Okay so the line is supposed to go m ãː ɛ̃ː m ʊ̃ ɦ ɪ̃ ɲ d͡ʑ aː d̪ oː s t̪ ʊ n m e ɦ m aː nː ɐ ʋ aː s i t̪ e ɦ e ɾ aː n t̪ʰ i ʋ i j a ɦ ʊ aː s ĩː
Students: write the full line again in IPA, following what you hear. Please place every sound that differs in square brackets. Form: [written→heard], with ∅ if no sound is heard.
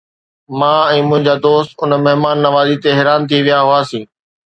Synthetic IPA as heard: m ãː ɛ̃ː m ʊ̃ ɦ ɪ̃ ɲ d͡ʑ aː d̪ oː s t̪ ʊ n m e ɦ m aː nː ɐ ʋ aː [s→z] i t̪ e ɦ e ɾ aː n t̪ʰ i ʋ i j a ɦ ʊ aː s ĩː

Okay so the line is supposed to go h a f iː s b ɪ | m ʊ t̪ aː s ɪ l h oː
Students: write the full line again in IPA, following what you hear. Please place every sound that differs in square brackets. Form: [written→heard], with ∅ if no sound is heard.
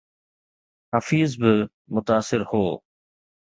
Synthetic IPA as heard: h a f iː [s→z] b ɪ | m ʊ t̪ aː s ɪ [l→ɾ] h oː

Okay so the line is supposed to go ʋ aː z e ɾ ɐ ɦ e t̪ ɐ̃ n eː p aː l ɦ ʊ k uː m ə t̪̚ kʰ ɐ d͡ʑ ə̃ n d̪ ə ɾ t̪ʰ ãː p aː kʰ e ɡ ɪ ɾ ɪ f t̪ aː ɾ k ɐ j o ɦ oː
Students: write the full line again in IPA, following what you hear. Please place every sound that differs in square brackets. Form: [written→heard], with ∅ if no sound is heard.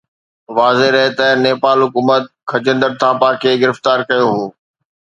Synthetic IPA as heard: ʋ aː z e ɾ ɐ ɦ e t̪ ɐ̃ n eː p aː l ɦ ʊ k uː m ə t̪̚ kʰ ɐ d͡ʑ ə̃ n d̪ ə ɾ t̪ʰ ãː p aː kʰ e ɡ ɪ ɾ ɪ f t̪ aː ɾ k ɐ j o ɦ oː

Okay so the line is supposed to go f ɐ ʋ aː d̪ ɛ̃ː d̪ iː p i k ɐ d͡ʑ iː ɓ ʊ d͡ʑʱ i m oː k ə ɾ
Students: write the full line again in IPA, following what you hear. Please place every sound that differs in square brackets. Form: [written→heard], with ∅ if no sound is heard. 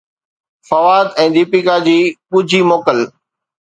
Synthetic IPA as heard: f ɐ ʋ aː d̪ ɛ̃ː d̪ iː p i k [ɐ→a] d͡ʑ iː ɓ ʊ d͡ʑʱ i m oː k ə [ɾ→l]

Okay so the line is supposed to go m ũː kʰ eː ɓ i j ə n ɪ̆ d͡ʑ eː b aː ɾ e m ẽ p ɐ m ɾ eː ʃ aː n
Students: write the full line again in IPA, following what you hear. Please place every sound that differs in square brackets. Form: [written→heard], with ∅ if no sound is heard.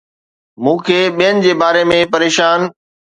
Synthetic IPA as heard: m ũː kʰ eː ɓ i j ə n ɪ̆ d͡ʑ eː b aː ɾ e m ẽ p ɐ [m→∅] ɾ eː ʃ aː n

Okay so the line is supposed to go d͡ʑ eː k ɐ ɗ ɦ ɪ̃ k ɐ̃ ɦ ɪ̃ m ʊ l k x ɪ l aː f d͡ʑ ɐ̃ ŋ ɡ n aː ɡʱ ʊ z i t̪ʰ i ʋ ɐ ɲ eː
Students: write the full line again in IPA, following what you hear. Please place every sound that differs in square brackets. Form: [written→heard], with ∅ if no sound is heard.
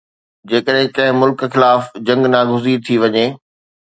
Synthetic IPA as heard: d͡ʑ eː k [ɐ→ə] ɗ ɦ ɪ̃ k ɐ̃ ɦ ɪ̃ m ʊ l k x ɪ l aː f d͡ʑ ɐ̃ ŋ ɡ n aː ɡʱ ʊ z i t̪ʰ i ʋ ɐ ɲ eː

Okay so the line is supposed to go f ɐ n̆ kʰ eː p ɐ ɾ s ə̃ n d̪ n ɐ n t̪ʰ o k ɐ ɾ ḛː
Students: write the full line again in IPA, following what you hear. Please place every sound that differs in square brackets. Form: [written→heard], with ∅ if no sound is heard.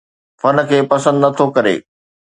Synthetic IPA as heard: f ɐ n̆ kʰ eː p ɐ [ɾ→∅] s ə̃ n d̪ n ɐ [n→∅] t̪ʰ o k ɐ ɾ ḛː

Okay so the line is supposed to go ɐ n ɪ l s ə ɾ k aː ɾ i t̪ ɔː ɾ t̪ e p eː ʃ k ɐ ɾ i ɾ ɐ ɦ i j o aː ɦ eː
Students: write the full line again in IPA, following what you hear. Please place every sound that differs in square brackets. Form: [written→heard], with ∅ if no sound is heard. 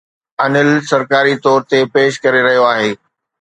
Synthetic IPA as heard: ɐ n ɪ l s [ə→ɐ] ɾ k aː ɾ i t̪ ɔː ɾ t̪ e p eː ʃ k ɐ ɾ [i→e] ɾ ɐ ɦ i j o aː ɦ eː

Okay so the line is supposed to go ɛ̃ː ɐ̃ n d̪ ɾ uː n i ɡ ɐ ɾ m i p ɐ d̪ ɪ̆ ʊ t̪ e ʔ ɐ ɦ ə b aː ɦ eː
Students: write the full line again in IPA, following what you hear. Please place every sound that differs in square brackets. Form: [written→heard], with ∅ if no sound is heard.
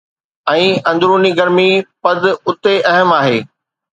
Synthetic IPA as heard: ɛ̃ː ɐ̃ n d̪ ɾ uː n i ɡ ɐ ɾ m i p ɐ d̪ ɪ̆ ʊ t̪ e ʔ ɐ ɦ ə [b→m] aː ɦ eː

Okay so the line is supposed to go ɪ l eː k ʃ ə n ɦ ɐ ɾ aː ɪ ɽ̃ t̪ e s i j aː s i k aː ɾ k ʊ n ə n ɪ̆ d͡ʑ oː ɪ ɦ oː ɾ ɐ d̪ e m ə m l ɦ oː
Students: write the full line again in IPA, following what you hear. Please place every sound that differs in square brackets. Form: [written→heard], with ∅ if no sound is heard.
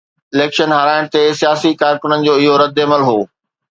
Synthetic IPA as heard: ɪ l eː k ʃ ə n ɦ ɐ ɾ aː ɪ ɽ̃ t̪ e s i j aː s i k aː ɾ k ʊ n ə n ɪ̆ d͡ʑ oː ɪ ɦ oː ɾ ɐ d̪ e m ə [m→∅] l ɦ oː

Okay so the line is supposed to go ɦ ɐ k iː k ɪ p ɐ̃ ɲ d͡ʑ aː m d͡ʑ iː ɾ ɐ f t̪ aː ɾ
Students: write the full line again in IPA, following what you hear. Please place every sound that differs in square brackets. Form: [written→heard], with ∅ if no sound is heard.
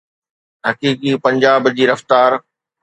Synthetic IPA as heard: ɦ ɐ k iː k [ɪ→i] p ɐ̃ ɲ d͡ʑ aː [m→b] d͡ʑ iː ɾ ɐ f t̪ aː ɾ

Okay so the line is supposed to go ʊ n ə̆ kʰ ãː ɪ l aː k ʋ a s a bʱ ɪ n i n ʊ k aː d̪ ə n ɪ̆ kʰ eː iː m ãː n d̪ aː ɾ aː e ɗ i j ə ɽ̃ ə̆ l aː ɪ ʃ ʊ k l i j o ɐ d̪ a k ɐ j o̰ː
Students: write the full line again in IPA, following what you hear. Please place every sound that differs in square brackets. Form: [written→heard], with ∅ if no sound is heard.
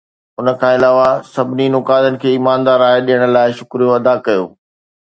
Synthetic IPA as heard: ʊ n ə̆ kʰ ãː ɪ l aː [k→∅] ʋ a s [a→ɐ] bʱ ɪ n i n ʊ k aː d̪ ə n ɪ̆ kʰ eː iː m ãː n d̪ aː ɾ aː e ɗ i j ə ɽ̃ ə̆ l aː ɪ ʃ ʊ k [l→ɾ] i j o ɐ d̪ a k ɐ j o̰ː

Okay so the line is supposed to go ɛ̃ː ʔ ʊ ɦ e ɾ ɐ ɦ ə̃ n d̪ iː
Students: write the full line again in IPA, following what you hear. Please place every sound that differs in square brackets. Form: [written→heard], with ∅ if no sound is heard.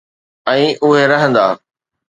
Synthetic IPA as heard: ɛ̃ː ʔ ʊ ɦ e ɾ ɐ ɦ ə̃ n d̪ [iː→aː]

